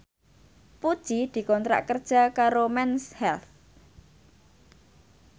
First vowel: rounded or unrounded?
rounded